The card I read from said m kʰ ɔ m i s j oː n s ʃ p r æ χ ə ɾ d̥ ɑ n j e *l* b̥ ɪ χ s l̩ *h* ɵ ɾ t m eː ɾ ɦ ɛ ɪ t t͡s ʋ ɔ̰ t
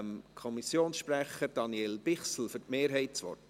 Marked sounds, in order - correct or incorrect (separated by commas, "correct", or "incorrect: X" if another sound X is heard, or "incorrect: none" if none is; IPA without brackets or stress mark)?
correct, incorrect: f